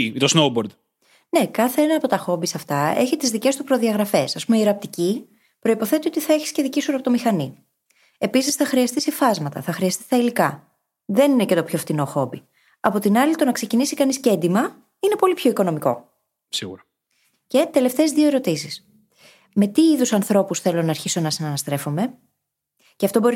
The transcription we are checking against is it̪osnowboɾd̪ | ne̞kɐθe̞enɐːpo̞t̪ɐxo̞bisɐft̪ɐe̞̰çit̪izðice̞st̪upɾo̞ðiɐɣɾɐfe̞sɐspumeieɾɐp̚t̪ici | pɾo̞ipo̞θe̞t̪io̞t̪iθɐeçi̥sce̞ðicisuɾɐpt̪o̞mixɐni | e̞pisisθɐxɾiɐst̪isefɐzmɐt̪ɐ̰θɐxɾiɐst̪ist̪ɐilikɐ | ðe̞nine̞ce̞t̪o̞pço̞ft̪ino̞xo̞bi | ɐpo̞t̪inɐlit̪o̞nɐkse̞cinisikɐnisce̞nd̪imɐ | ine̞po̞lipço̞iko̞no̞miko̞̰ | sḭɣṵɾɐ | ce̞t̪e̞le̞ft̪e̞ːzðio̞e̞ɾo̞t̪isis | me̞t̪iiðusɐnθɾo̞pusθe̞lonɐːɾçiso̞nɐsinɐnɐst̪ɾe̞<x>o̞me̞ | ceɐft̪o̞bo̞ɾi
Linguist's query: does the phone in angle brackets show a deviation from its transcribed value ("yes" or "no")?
yes